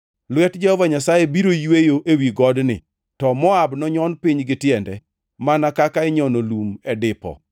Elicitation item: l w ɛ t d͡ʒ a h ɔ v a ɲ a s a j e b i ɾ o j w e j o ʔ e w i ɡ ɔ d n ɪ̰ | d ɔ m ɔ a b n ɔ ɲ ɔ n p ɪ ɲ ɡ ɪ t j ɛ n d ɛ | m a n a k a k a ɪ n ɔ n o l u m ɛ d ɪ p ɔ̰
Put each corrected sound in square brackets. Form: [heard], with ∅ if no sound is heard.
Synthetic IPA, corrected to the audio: l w ɛ t d͡ʒ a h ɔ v a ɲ a s a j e b i ɾ o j w e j o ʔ e w i ɡ ɔ d n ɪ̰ | [t] ɔ m ɔ a b n ɔ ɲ ɔ n p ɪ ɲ ɡ ɪ t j ɛ n d ɛ | m a n a k a k a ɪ [ɲ] ɔ n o l u m ɛ d ɪ p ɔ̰